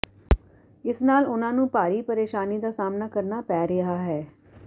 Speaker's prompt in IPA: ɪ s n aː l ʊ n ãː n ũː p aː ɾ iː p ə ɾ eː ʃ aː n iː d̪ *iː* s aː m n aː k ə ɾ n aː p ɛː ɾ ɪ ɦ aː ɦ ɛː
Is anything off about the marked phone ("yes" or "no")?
yes